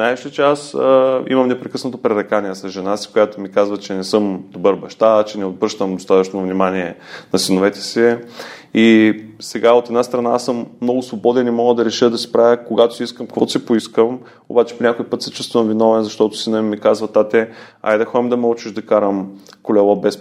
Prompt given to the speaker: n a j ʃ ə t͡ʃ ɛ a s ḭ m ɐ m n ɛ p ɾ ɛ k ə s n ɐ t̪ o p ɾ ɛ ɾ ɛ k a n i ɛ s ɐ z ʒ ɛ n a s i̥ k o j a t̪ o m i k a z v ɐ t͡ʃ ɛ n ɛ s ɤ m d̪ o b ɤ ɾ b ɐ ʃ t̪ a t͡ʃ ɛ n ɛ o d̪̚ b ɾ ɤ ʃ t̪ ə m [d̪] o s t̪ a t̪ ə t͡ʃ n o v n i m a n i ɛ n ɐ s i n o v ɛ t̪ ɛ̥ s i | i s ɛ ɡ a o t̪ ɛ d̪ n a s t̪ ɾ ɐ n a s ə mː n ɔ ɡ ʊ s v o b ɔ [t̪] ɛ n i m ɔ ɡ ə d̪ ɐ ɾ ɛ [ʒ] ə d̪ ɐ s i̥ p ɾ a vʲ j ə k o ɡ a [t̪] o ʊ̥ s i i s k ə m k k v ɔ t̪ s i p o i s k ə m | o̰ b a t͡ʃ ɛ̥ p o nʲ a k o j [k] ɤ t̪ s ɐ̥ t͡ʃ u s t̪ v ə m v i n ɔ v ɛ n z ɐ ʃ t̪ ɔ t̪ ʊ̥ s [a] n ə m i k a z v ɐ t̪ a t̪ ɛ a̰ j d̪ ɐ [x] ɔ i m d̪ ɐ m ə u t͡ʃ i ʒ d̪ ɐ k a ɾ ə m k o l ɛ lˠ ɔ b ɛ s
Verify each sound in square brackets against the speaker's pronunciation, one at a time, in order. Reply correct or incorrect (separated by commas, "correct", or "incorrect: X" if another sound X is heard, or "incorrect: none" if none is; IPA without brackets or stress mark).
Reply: correct, incorrect: d̪, incorrect: ʃ, correct, incorrect: p, incorrect: i, correct